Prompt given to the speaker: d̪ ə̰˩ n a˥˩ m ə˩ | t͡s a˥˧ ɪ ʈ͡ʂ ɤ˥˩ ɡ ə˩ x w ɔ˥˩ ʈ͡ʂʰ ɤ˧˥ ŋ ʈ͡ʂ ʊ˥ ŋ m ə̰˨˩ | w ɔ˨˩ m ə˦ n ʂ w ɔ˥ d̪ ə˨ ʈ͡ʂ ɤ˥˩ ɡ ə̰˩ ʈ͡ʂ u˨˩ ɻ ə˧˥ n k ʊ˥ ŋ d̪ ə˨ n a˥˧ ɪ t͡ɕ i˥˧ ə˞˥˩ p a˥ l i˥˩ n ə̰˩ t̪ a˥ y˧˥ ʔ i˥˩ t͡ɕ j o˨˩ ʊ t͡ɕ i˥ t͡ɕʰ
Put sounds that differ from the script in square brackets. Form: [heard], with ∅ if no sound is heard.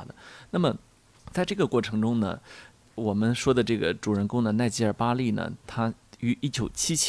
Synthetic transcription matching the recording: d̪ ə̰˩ n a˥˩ m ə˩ | t͡s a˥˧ ɪ ʈ͡ʂ ɤ˥˩ ɡ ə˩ [k] w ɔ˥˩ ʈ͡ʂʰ ɤ˧˥ ŋ ʈ͡ʂ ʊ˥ ŋ [n] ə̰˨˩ | w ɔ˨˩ m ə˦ n ʂ w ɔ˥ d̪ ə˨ ʈ͡ʂ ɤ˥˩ ɡ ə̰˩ ʈ͡ʂ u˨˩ ɻ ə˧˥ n k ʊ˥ ŋ d̪ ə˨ n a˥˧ ɪ t͡ɕ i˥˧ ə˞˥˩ p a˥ l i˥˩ n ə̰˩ [t̪ʰ] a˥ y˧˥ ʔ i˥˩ t͡ɕ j o˨˩ ʊ [t͡ɕʰ] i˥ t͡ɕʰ